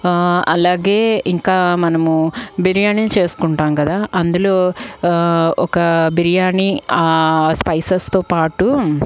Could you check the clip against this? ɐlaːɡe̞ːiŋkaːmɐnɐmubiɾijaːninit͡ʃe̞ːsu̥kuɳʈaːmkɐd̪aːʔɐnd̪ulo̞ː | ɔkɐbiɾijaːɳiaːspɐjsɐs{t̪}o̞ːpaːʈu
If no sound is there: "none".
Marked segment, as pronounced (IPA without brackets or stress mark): t̪